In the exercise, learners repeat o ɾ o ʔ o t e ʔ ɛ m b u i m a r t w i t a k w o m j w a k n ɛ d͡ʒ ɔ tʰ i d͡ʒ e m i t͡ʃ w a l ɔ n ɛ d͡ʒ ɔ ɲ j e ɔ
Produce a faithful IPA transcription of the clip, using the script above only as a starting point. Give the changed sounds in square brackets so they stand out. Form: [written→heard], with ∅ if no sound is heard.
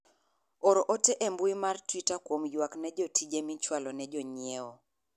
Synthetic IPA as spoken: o ɾ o ʔ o t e ʔ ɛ m b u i m a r t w i t a k w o m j w a k n ɛ d͡ʒ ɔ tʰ i d͡ʒ e m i t͡ʃ w a l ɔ n ɛ d͡ʒ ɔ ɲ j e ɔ